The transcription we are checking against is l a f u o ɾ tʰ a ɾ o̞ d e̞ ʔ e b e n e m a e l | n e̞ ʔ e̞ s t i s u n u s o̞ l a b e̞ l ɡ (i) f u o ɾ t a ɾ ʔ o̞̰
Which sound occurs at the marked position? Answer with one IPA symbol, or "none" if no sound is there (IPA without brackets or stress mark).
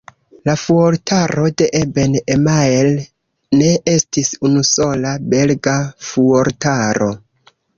a